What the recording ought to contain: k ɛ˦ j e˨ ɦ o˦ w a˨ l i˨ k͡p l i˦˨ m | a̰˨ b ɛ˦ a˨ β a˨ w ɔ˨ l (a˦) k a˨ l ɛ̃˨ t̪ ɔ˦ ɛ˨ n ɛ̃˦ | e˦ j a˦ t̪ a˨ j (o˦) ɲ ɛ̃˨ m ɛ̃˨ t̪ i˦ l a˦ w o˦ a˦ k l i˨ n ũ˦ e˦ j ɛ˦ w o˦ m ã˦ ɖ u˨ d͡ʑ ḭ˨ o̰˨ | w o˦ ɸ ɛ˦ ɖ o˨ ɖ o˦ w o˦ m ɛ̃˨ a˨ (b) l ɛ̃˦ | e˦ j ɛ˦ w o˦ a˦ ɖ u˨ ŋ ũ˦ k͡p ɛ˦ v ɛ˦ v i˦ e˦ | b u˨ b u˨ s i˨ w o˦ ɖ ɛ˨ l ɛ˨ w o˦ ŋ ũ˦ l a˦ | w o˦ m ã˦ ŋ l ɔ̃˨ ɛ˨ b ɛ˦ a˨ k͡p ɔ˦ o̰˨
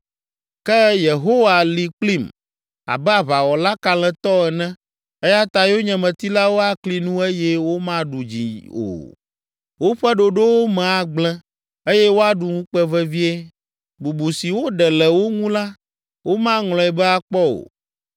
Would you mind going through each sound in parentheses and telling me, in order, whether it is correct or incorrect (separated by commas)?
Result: correct, correct, incorrect